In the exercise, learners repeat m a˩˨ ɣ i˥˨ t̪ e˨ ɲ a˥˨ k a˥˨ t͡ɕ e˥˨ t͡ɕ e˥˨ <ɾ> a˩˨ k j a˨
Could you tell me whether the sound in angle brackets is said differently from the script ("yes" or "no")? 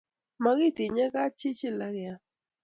yes